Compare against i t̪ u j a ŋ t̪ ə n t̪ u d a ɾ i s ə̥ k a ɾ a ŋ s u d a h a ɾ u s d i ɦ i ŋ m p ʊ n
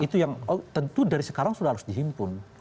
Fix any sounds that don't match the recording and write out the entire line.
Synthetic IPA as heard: i t̪ u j a ŋ t̪ ə n t̪ u d a ɾ i s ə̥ k a ɾ a ŋ s u d a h a ɾ ʊ s d i ɦ i m p ʊ n